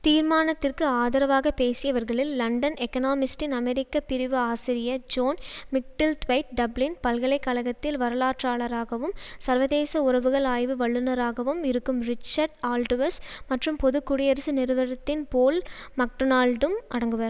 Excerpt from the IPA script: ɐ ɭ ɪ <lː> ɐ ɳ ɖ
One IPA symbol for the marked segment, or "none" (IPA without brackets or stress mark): lː